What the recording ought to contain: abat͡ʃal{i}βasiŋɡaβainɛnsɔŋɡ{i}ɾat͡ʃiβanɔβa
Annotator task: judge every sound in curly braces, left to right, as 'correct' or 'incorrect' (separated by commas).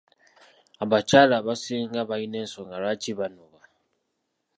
incorrect, incorrect